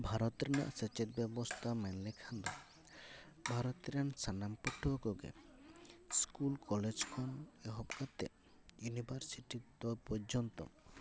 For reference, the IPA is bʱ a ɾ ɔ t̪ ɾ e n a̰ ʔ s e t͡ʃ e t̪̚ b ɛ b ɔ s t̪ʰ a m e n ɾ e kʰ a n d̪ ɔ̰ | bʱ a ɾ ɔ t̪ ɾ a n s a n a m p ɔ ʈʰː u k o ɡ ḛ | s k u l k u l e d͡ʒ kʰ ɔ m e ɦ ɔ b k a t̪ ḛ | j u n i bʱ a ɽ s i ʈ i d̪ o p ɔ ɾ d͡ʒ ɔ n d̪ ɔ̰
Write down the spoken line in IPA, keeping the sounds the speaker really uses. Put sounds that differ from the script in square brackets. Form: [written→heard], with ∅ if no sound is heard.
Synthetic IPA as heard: bʱ a ɾ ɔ t̪ ɾ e n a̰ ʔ s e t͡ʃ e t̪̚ b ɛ b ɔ s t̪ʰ a m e n [ɾ→l] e kʰ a n d̪ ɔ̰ | bʱ a ɾ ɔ t̪ ɾ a n s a n a m p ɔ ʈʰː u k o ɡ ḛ | s k u l k [u→ɔ] l e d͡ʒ kʰ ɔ [m→n] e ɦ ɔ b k a t̪ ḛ | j u n i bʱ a [ɽ→ɾ] s i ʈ i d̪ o p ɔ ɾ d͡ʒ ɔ n [d̪→t̪] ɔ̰